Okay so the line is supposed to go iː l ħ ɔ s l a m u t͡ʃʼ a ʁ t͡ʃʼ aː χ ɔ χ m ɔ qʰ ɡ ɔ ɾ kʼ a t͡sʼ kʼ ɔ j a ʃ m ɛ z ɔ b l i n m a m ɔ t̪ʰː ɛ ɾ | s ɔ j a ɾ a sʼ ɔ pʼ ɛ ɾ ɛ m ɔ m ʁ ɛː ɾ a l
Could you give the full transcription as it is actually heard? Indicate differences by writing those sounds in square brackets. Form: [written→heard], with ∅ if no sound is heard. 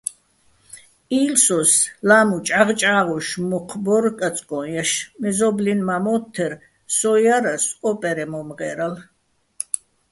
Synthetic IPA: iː l [ħ→s] ɔ s l a m u t͡ʃʼ a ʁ t͡ʃʼ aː [χ→ʁ] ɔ [χ→ʃ] m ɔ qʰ [ɡ→b] ɔ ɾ kʼ a t͡sʼ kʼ ɔ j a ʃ m ɛ z ɔ b l i n m a m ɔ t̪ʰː ɛ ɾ | s ɔ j a ɾ a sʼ ɔ pʼ ɛ ɾ ɛ m ɔ m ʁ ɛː ɾ a l